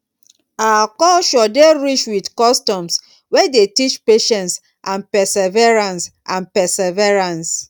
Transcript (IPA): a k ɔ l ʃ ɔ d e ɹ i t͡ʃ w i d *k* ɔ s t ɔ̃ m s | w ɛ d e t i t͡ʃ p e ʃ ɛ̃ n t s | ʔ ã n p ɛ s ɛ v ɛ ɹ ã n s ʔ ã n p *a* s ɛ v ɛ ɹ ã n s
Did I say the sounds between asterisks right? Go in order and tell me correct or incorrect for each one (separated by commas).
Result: correct, incorrect